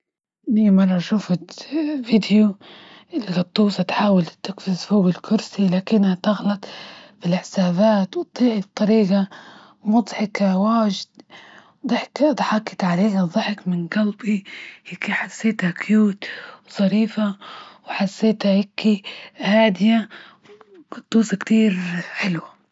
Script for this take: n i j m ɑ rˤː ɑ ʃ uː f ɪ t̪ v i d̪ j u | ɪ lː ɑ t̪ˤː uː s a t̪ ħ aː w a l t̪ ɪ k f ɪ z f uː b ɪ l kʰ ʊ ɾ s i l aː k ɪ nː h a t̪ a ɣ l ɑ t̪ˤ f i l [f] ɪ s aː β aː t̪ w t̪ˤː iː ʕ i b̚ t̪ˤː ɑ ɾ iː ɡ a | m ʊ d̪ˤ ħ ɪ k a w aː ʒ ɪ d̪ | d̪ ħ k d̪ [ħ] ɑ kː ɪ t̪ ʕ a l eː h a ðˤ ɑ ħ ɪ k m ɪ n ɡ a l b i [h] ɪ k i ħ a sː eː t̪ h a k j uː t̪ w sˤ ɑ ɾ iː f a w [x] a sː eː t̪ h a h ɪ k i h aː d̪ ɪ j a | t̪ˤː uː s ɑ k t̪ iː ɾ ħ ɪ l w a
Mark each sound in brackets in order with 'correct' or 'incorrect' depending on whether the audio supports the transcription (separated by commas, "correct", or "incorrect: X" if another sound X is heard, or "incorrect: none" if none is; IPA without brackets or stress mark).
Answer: incorrect: ħ, correct, correct, incorrect: ħ